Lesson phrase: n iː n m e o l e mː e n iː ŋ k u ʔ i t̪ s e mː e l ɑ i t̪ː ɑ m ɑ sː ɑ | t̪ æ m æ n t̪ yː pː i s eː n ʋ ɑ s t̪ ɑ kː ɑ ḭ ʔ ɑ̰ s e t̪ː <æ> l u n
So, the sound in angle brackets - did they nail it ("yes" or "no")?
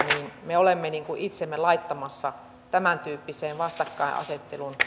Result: no